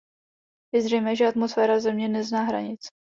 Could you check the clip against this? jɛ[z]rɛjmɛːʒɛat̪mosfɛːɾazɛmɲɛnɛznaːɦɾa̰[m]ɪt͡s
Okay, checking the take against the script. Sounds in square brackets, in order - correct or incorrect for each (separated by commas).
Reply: correct, incorrect